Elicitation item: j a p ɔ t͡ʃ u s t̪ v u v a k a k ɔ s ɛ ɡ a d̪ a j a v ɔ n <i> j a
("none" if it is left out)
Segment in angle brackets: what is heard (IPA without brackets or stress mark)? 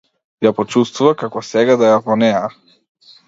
ɛ